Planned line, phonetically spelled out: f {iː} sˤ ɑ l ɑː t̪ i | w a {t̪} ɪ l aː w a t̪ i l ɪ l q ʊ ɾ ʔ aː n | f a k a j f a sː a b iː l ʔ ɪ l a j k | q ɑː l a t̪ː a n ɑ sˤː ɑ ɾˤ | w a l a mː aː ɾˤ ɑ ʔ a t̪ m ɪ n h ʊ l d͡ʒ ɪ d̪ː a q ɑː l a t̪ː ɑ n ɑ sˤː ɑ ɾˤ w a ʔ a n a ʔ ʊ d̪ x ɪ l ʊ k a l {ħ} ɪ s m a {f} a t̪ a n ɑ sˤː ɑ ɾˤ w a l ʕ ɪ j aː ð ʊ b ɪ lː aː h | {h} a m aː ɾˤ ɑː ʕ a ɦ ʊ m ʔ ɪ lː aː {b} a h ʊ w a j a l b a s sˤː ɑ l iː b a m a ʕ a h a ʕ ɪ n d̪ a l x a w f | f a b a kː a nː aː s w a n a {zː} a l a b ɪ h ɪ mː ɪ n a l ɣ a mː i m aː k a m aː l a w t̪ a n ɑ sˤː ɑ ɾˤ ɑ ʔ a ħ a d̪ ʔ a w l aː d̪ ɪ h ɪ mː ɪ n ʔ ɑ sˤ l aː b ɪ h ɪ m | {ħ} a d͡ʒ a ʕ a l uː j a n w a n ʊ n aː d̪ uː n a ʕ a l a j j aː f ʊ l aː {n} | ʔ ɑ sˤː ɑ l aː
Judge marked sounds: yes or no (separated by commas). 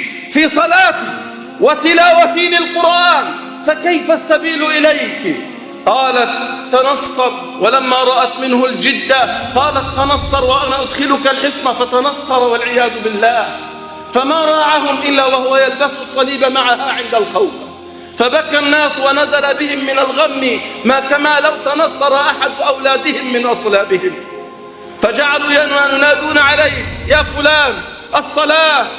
yes, yes, yes, yes, no, no, no, no, yes